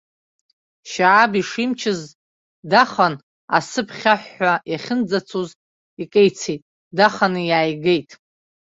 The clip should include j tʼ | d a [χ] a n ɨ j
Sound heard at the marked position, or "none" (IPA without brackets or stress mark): χ